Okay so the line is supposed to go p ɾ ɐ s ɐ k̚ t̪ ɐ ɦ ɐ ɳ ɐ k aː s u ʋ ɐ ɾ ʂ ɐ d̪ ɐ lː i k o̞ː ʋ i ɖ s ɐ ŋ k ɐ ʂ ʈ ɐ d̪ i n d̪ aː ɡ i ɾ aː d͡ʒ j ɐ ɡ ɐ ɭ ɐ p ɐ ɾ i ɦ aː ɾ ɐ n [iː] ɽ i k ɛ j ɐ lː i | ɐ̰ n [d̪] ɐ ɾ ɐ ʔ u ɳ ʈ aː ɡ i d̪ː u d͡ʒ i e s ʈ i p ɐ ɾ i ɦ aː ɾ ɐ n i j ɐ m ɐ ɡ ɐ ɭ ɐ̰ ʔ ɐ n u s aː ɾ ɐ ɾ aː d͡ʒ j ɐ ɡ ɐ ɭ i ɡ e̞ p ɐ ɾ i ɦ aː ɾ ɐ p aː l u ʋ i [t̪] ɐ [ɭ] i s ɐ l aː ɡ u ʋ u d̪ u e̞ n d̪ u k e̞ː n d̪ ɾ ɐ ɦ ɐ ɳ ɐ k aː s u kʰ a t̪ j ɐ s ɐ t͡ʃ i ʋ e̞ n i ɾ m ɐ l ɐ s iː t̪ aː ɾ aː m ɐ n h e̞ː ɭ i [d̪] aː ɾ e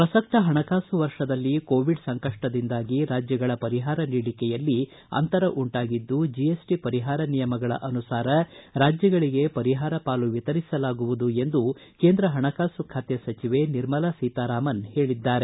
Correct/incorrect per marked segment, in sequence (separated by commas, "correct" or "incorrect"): correct, incorrect, correct, incorrect, incorrect